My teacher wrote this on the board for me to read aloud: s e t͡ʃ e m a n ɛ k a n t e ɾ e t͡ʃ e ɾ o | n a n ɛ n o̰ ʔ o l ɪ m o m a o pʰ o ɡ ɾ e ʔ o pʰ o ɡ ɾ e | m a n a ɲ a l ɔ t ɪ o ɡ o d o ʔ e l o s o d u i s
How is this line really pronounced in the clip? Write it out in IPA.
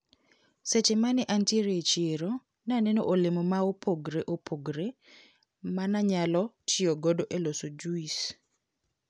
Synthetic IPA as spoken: s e t͡ʃ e m a n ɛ ʔ a n t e ɾ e t͡ʃ e ɾ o | n a n ɛ n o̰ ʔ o l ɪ m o m a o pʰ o ɡ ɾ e ʔ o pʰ o ɡ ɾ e | m a n a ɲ a l ɔ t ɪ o ɡ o d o ʔ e l o s o d͡ʒ u i s

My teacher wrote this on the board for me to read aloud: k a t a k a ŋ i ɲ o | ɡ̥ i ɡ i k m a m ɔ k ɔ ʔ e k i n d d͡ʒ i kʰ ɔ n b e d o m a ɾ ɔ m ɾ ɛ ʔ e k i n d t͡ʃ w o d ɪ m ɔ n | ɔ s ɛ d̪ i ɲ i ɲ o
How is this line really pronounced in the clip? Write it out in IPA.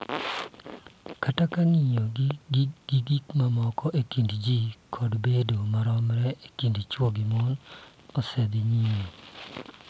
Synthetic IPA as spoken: k a t a k a ŋ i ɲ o | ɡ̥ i ɡ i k m a m ɔ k ɔ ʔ e k i n d d͡ʒ i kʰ ɔ d b e d o m a ɾ ɔ m ɾ ɛ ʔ e k i n d t͡ʃ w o ɡ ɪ m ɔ n | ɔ s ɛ d̪ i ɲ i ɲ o

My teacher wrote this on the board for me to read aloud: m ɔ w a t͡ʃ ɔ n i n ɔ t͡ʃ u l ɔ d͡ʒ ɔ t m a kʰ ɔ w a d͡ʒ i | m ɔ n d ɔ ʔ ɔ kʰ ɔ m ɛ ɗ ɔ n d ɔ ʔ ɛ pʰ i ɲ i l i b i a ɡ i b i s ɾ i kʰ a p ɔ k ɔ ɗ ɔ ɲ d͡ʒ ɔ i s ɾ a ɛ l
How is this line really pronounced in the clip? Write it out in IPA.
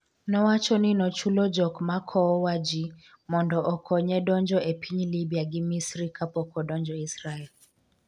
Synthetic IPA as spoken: n ɔ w a t͡ʃ ɔ n i n ɔ t͡ʃ u l ɔ d͡ʒ ɔ k m a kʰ ɔ w a d͡ʒ i | m ɔ n d ɔ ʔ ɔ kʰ ɔ ɲ ɛ ɗ ɔ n d͡ʒ ɔ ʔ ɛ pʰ i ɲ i l i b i a ɡ i m i s ɾ i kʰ a p ɔ k ɔ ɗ ɔ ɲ d͡ʒ ɔ i s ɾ a ɛ l

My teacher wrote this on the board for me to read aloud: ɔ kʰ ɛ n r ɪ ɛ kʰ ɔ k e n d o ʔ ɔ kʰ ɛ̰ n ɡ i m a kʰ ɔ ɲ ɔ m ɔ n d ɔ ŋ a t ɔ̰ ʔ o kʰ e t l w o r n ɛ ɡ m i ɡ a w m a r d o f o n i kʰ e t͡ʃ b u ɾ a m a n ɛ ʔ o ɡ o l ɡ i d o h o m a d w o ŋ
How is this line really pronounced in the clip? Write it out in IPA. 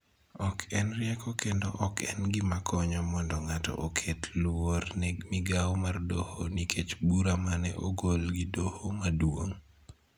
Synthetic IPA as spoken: ɔ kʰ ɛ n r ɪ ɛ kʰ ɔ k e n d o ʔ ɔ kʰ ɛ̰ n ɡ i m a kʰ ɔ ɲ ɔ m ɔ n d ɔ ŋ a t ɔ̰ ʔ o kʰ e t l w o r n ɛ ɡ m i ɡ a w m a r d o h o n i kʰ e t͡ʃ b u ɾ a m a n ɛ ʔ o ɡ o l ɡ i d o h o m a d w o ŋ

